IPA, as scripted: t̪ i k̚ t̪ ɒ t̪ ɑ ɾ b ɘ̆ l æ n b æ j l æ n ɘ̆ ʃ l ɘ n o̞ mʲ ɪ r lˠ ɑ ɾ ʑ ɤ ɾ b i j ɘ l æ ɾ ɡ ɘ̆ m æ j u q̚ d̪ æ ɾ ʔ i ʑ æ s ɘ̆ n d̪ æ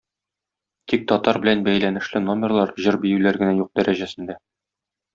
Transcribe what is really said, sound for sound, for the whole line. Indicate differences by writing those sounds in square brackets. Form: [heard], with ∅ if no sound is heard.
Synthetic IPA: t̪ i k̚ t̪ ɒ t̪ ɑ ɾ b ɘ̆ l æ n b æ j l æ n ɘ̆ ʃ l ɘ n o̞ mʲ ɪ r lˠ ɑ ɾ ʑ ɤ ɾ b i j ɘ l æ ɾ ɡ ɘ̆ [n] æ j u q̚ d̪ æ ɾ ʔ [æ] ʑ æ s ɘ̆ n d̪ æ